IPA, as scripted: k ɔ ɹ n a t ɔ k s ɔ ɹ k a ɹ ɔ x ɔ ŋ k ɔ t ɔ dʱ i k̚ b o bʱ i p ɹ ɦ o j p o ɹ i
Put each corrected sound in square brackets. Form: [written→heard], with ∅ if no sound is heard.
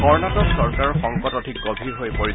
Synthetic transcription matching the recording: k ɔ ɹ n a t ɔ k s ɔ ɹ k a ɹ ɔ x ɔ ŋ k ɔ t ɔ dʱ i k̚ [b→ɡ] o bʱ i [p→∅] ɹ ɦ o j p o ɹ i